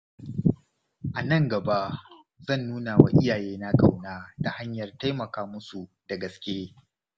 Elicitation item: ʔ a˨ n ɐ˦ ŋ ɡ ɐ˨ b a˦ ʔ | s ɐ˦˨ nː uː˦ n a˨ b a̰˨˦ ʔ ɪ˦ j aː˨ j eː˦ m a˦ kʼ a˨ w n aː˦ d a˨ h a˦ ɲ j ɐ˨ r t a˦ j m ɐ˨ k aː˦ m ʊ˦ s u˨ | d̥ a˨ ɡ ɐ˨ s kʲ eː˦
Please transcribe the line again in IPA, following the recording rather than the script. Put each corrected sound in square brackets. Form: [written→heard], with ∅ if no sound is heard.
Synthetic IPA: ʔ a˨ n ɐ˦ ŋ ɡ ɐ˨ b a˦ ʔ | [s→z] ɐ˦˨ nː uː˦ n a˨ [b→w] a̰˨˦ ʔ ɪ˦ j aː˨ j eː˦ [m→n] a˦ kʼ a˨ w n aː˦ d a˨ h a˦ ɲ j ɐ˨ r t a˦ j m ɐ˨ k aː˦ m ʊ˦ s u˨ | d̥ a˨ ɡ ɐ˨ s kʲ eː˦